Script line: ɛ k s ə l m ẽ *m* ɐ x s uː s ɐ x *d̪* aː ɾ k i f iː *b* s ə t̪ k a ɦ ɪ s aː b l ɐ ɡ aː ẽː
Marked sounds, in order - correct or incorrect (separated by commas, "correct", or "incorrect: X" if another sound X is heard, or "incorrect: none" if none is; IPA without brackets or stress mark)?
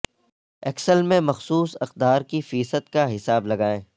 correct, correct, incorrect: none